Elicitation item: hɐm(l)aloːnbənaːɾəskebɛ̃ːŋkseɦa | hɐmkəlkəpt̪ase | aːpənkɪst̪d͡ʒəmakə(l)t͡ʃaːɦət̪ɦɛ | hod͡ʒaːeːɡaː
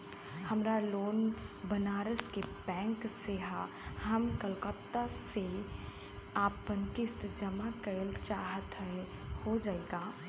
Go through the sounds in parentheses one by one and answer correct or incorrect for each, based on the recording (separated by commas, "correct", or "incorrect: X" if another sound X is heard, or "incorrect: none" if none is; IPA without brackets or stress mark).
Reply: incorrect: ɾ, correct